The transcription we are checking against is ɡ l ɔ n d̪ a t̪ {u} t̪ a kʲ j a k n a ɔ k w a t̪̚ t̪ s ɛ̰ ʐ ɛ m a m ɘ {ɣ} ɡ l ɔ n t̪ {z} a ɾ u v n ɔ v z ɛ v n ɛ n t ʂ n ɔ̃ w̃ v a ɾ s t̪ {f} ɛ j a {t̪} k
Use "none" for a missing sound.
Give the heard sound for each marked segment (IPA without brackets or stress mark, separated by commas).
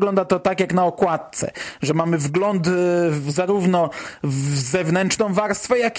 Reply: ɔ, v, z, f, none